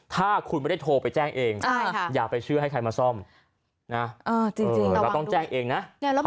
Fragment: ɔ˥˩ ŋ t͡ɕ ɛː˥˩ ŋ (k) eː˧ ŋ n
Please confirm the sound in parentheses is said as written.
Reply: no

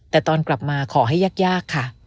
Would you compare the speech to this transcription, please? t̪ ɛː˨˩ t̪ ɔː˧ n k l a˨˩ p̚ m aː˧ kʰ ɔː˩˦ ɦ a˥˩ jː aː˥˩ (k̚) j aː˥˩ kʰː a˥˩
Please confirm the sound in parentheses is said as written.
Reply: yes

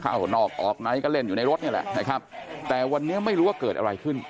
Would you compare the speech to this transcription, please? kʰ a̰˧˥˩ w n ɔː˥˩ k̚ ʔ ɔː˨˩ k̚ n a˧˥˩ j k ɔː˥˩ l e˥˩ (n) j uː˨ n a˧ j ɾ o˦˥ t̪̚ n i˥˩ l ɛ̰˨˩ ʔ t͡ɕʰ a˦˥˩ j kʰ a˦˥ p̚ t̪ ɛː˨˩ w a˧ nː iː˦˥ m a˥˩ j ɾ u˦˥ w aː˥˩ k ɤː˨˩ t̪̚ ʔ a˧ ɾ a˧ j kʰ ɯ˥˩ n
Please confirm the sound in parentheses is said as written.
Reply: yes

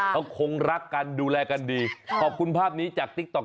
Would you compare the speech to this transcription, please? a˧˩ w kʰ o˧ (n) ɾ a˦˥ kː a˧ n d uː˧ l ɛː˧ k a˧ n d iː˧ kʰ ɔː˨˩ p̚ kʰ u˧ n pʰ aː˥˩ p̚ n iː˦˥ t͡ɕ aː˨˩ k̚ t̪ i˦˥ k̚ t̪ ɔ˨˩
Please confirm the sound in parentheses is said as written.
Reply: no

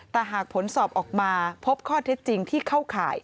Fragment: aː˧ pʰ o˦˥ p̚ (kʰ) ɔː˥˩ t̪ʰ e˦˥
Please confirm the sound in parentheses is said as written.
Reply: yes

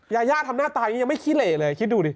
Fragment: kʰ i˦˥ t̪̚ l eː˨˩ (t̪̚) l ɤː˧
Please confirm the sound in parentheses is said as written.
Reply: no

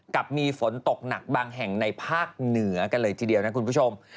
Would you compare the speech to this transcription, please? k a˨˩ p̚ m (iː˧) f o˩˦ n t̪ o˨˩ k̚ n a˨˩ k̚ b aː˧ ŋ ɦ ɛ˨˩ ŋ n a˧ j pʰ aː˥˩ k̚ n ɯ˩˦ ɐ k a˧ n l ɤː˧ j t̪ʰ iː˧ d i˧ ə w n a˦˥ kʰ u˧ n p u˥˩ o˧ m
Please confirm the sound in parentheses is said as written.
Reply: yes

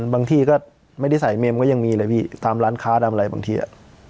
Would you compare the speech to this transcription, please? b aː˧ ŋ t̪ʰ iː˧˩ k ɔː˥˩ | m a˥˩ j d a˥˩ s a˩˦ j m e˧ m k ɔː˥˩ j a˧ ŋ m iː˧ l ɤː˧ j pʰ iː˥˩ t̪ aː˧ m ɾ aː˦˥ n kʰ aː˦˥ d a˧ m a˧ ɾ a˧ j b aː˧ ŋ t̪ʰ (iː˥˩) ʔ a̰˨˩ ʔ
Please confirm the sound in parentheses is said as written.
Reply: no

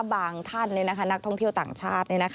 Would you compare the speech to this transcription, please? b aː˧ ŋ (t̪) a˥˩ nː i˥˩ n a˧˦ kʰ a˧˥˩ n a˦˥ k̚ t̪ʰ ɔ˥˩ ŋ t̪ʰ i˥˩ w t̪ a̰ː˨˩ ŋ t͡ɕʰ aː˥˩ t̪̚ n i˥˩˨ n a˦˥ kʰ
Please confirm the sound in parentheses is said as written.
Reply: no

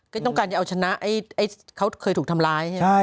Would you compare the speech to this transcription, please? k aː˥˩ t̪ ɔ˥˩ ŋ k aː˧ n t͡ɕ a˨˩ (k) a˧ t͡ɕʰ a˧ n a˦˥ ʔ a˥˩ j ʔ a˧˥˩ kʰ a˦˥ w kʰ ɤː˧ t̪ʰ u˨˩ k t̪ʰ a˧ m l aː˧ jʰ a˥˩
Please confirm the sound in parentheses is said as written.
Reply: no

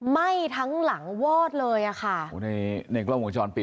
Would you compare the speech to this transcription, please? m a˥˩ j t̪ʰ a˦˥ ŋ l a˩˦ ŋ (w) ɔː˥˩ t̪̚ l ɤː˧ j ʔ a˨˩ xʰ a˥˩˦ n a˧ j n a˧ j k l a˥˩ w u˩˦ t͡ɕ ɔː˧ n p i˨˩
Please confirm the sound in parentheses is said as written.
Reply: yes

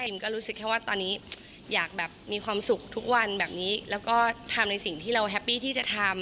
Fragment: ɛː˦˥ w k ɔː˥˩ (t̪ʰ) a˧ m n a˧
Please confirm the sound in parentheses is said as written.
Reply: yes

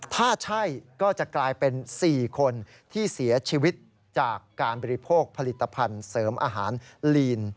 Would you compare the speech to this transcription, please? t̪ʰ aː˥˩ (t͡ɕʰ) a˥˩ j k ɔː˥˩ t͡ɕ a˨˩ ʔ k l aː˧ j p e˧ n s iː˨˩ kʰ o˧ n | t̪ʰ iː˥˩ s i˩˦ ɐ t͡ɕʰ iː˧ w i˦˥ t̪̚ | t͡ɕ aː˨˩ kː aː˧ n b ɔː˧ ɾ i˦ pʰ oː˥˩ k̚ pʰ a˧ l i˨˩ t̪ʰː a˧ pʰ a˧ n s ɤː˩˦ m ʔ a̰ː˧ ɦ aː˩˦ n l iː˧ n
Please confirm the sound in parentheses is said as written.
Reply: yes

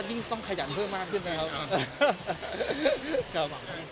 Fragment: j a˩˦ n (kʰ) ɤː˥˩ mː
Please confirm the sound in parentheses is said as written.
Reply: no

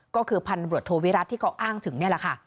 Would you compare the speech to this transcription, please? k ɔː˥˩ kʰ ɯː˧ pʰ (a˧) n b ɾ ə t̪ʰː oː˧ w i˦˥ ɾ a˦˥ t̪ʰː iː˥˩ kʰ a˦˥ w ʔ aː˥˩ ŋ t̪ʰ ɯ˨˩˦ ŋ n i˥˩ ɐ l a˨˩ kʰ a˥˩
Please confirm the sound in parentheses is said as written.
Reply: yes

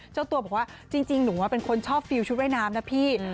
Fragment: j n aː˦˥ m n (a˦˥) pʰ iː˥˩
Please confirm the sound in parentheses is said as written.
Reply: yes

